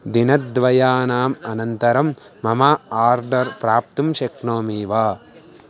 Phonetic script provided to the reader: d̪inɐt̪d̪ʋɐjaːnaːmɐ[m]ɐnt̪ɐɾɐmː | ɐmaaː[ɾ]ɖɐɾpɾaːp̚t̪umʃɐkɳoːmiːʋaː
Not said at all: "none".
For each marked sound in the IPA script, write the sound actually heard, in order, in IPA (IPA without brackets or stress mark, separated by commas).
n, ɾ